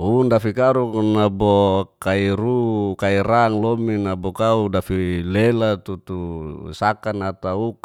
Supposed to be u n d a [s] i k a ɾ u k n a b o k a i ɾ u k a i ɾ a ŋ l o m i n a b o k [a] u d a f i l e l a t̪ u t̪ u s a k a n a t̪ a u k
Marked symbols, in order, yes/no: no, yes

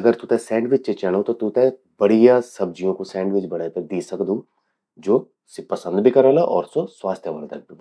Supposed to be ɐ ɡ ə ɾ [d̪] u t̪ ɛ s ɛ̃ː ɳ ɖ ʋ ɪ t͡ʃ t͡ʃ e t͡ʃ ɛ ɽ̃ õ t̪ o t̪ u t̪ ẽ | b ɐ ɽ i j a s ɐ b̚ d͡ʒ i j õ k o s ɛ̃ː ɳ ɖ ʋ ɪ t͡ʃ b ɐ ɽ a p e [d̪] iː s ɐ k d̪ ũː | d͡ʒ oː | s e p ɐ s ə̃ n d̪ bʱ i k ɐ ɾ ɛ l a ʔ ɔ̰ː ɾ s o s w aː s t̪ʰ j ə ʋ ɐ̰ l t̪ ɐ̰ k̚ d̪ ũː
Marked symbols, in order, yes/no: no, yes

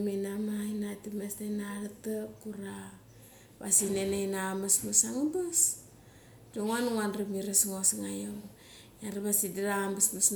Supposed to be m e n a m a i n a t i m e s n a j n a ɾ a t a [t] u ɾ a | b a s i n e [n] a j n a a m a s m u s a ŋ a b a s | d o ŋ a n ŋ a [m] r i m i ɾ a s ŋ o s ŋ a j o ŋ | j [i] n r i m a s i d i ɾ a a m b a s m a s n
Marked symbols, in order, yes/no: no, yes, no, no

